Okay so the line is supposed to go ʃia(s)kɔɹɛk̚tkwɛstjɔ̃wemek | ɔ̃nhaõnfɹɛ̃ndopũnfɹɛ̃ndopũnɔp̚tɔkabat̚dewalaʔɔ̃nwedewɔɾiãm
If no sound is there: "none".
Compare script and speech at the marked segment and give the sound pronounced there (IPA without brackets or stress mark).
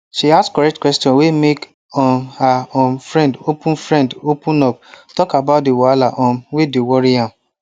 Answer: s